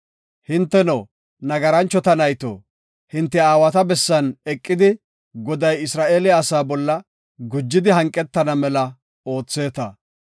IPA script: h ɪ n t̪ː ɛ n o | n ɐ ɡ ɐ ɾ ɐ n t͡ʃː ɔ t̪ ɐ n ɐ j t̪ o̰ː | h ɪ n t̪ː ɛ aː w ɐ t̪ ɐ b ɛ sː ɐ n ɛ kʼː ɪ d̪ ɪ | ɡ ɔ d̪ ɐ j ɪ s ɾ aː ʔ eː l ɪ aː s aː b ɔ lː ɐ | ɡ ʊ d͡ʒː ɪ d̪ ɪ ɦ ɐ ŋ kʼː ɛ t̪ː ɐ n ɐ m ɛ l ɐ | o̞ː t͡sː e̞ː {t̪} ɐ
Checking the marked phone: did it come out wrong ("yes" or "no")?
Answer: no